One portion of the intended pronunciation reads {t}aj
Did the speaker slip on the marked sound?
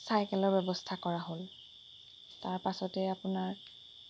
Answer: yes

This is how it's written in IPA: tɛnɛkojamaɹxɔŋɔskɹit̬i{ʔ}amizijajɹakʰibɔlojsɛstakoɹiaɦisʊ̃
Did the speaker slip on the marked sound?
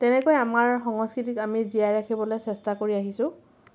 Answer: yes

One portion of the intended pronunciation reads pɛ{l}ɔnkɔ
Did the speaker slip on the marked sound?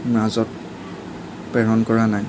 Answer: yes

